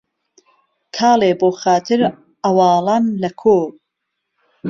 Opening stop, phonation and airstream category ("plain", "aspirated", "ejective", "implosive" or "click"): aspirated